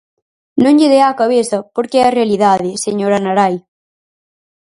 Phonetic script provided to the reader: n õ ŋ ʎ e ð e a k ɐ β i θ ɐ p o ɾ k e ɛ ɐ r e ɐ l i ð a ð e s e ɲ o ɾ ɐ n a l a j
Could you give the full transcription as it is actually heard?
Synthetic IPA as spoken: n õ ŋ ʎ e ð e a k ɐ β e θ ɐ p o ɾ k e ɛ ɐ r e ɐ l i ð a ð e s e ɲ o ɾ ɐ n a ɾ a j